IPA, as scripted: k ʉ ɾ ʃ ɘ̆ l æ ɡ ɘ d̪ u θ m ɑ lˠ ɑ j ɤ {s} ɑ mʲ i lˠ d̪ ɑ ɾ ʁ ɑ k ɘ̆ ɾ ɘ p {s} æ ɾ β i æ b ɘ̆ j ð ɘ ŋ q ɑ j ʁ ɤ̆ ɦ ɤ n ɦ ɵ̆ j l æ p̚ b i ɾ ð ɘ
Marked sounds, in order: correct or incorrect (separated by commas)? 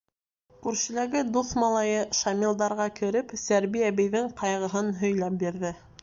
incorrect, correct